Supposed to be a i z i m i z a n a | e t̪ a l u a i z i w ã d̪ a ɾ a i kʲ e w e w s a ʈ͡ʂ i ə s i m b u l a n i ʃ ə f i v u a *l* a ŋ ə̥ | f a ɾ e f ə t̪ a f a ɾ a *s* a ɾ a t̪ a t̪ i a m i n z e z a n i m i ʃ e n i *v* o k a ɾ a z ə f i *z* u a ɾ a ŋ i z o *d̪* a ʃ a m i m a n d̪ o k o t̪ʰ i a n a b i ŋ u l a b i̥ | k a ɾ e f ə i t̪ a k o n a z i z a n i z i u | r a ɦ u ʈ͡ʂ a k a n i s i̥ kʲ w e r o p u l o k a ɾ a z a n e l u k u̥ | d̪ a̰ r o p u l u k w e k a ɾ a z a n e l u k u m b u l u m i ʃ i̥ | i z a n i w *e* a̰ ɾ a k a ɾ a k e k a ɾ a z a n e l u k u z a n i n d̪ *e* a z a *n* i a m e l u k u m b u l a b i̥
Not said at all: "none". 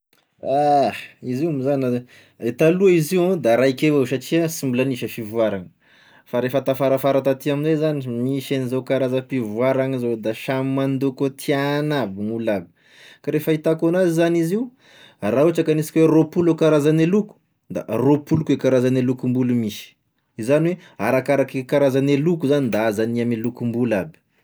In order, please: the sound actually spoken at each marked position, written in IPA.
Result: ɾ, f, z, v, d̪, e, a, n

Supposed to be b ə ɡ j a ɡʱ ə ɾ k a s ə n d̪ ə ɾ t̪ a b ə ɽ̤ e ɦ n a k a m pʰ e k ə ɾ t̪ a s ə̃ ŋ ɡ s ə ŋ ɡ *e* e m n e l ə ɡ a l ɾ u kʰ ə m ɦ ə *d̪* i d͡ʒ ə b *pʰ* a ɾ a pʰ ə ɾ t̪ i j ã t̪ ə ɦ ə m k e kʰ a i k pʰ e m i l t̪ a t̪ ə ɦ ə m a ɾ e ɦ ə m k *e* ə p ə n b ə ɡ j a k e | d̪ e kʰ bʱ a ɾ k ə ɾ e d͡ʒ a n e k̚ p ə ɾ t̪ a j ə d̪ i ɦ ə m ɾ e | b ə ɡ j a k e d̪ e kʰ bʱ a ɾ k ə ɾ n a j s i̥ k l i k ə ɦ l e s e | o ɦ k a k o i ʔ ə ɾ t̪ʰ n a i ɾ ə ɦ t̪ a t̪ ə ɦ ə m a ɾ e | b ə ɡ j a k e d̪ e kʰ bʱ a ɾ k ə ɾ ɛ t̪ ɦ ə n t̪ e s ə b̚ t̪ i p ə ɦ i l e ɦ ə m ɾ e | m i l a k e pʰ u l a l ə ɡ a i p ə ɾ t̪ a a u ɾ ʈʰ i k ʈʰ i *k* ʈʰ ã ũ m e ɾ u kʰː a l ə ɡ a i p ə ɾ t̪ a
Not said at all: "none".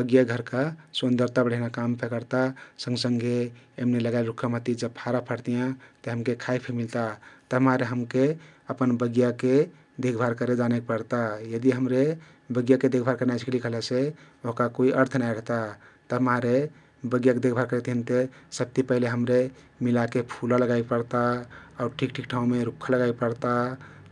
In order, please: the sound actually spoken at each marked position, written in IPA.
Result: e, t̪, pʰ, e, k

